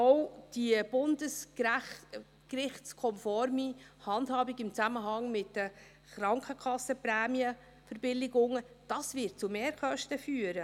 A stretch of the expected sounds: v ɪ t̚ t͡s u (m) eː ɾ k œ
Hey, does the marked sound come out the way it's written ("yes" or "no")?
yes